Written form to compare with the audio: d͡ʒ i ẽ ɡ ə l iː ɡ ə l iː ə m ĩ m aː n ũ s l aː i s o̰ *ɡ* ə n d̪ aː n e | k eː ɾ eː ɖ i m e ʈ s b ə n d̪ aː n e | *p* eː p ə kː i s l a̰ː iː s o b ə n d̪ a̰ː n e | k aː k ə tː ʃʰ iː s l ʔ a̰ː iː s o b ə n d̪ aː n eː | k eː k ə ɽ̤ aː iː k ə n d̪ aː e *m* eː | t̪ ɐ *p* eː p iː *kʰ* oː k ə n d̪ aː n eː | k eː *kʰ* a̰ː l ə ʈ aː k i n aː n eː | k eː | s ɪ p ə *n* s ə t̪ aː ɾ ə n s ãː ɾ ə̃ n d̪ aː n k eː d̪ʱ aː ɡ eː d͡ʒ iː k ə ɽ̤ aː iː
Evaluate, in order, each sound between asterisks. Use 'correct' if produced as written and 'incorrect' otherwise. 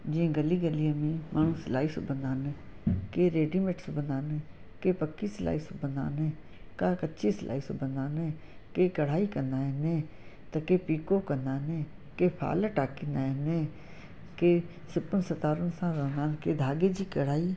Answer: incorrect, incorrect, incorrect, incorrect, incorrect, incorrect, correct

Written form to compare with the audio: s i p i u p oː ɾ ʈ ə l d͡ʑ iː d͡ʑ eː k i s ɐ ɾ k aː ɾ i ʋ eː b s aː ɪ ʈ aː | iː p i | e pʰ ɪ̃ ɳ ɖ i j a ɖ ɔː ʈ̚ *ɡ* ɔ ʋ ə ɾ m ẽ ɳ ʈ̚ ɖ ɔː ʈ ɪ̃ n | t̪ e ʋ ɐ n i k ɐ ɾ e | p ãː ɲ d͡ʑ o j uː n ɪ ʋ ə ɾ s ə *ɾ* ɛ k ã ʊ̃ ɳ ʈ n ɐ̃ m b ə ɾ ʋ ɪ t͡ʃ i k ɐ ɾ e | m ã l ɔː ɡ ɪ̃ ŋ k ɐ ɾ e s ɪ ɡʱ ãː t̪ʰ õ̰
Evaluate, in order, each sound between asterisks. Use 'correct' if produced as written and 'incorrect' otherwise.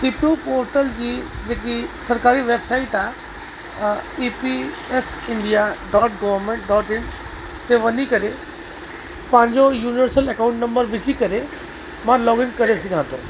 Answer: correct, incorrect

